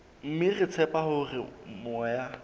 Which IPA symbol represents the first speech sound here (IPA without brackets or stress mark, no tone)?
m̩